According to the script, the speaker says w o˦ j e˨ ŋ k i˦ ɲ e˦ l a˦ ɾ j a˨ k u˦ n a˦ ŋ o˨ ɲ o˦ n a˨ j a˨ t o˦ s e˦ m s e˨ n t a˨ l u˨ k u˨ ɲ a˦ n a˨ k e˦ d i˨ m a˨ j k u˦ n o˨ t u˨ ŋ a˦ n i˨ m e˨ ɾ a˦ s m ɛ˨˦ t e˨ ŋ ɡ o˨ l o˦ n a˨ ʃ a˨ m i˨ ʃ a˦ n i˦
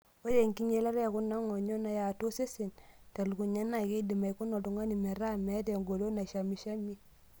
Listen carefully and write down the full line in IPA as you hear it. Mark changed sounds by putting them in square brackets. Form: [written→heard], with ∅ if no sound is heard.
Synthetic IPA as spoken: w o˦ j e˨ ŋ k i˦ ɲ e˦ l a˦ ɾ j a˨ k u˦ n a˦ ŋ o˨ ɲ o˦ n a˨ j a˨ t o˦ s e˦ [m→∅] s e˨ n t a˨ l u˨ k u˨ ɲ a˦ n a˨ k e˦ d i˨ m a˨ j k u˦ n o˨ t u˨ ŋ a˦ n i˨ m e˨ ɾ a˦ [s→∅] m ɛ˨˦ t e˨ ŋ ɡ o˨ l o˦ n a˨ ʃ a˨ m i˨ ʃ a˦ [n→m] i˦